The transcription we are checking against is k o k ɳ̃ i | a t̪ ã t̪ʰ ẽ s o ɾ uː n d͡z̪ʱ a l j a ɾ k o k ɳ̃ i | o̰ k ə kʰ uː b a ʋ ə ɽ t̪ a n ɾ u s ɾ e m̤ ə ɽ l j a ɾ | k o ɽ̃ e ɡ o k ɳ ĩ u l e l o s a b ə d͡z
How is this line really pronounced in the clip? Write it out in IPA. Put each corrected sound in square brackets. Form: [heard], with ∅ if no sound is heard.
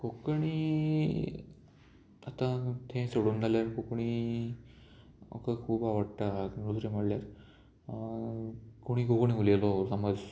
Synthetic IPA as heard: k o k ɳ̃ i | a t̪ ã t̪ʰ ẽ s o [ɽ] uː n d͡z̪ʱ a l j a ɾ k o k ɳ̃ i | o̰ k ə kʰ uː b a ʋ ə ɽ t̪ a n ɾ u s ɾ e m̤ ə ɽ l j a ɾ | k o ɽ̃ [i] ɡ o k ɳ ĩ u l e l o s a [m] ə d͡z

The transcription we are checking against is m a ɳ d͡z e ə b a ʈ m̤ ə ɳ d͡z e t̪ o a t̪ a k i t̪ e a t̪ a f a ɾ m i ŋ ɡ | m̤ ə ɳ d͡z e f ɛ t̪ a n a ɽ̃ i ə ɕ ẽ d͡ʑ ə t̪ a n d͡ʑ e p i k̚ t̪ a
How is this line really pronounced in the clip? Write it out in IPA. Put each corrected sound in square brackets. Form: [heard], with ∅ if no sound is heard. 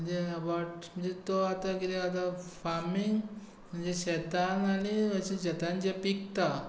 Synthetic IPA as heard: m [ə] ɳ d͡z e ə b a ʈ m̤ ə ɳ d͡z e t̪ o a t̪ a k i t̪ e a t̪ a f a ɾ m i ŋ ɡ | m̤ ə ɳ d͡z e [ɕ] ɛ t̪ a n a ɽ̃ i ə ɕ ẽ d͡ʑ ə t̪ a n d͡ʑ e p i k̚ t̪ a

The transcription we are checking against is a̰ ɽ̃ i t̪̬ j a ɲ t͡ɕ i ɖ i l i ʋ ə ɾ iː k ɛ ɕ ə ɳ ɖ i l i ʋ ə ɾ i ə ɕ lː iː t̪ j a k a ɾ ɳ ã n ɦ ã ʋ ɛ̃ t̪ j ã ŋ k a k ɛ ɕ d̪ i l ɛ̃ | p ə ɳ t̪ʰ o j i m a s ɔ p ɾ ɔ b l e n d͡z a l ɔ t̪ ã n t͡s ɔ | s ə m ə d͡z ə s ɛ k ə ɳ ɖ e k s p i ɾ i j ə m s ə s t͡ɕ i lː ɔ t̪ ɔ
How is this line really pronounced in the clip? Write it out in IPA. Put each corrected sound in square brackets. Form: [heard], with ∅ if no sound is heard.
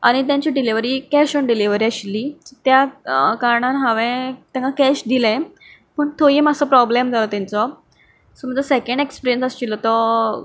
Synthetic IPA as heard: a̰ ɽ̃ i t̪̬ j a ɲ t͡ɕ i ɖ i l i ʋ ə ɾ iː k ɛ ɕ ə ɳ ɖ i l i ʋ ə ɾ i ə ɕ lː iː t̪ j a k a ɾ ɳ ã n ɦ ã ʋ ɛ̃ t̪ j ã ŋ k a k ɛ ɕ d̪ i l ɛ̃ | p ə ɳ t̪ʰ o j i m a s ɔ p ɾ ɔ b l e [m] d͡z a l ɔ t̪ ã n t͡s ɔ | s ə m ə d͡z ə s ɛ k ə ɳ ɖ e k s p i ɾ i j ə [n] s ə s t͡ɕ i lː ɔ t̪ ɔ

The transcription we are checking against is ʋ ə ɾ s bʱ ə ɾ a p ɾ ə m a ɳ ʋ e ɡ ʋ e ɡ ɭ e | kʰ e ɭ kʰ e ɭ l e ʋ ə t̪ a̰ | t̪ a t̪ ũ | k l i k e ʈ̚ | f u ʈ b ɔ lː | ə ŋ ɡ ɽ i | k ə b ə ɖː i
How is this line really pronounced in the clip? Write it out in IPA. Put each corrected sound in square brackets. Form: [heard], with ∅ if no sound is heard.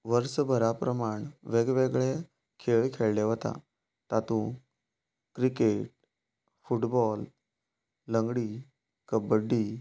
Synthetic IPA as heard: ʋ ə ɾ s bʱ ə ɾ a p ɾ ə m a ɳ ʋ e ɡ ʋ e ɡ ɭ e | kʰ e ɭ kʰ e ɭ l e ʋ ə t̪ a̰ | t̪ a t̪ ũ | k [ɾ] i k e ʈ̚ | f u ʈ b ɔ lː | ə ŋ ɡ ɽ i | k ə b ə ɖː i

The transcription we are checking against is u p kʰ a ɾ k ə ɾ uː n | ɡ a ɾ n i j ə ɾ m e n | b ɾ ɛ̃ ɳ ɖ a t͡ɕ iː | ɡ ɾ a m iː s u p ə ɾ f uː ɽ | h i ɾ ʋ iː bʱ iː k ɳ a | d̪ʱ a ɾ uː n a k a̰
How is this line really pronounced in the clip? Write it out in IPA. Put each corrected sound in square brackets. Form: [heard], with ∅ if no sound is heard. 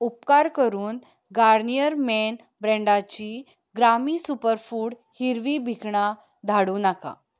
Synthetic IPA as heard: u p [k] a ɾ k ə ɾ uː n | ɡ a ɾ n i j ə ɾ m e n | b ɾ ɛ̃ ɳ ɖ a t͡ɕ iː | ɡ ɾ a m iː s u p ə ɾ f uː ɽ | h i ɾ ʋ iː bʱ [i] k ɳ a | d̪ʱ a [ɽ] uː n a k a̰

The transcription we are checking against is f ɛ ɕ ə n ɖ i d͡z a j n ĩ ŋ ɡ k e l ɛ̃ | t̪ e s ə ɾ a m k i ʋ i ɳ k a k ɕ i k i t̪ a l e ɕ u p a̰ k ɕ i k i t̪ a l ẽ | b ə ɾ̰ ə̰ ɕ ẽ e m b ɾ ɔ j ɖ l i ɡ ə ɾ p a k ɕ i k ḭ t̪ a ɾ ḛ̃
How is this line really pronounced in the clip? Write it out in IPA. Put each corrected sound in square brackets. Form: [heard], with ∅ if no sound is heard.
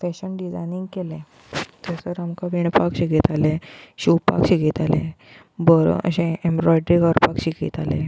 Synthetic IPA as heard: f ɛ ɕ ə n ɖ i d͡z a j n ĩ ŋ ɡ k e l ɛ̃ | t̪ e s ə ɾ a m k [a] ʋ i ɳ [p] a k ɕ i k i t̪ a l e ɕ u p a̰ k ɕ i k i t̪ a l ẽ | b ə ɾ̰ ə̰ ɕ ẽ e m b ɾ ɔ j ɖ [ɾ] i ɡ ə ɾ p a k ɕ i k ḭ t̪ a [l] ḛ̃

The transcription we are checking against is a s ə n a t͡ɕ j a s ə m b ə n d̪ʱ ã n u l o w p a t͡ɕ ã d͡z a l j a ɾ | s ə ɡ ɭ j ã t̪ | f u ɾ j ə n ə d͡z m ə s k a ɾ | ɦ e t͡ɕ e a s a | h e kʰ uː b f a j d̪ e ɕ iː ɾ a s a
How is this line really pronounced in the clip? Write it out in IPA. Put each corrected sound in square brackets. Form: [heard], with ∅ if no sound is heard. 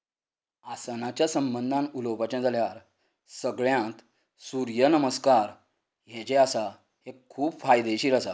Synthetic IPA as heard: a s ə n a t͡ɕ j a s ə m b ə n d̪ʱ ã n u l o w p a t͡ɕ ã d͡z a l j a ɾ | s ə ɡ ɭ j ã t̪ | [s] u ɾ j ə n ə [∅] m ə s k a ɾ | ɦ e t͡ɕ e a s a | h e kʰ uː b f a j d̪ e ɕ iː ɾ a s a

